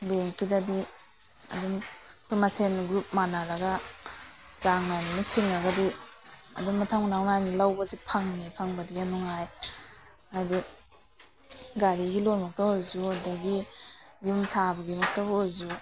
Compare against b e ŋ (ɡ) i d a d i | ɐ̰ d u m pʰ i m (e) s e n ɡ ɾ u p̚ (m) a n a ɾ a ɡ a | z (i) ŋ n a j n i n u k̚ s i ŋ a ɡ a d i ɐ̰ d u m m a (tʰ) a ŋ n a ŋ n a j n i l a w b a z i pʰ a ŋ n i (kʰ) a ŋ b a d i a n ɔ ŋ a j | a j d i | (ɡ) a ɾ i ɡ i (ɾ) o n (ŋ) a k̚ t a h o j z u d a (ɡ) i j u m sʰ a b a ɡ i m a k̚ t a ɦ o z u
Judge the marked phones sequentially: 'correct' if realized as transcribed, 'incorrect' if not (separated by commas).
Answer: incorrect, incorrect, correct, incorrect, correct, incorrect, correct, incorrect, incorrect, correct